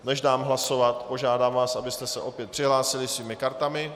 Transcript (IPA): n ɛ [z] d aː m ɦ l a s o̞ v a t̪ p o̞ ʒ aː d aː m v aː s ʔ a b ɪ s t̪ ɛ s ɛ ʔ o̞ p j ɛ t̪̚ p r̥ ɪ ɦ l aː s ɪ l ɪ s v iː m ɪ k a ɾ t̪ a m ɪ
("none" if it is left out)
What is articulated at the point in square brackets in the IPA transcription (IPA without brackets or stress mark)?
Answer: ʒ